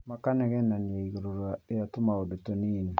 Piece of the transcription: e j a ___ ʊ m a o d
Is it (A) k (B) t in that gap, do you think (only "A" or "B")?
B